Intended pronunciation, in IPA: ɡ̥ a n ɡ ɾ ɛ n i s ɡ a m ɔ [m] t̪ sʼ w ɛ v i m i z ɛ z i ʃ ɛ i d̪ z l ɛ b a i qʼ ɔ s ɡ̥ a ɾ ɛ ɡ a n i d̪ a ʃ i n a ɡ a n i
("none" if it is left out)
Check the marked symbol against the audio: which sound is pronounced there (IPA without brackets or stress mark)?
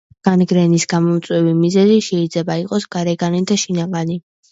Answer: m